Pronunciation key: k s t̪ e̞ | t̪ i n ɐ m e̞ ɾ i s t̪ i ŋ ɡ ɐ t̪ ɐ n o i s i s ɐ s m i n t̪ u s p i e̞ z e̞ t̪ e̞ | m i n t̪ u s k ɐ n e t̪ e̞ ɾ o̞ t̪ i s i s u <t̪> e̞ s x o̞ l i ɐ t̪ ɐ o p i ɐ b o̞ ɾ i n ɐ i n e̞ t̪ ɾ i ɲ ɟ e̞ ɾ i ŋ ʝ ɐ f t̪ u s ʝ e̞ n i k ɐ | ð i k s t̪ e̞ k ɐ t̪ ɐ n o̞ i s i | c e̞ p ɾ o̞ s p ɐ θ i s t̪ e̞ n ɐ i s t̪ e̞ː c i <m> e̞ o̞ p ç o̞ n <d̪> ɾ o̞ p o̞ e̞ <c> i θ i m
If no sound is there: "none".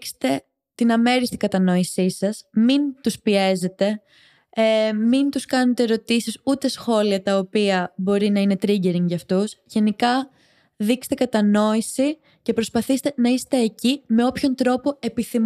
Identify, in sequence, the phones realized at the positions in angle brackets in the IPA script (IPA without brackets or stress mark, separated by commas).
t̪, m, t̪, p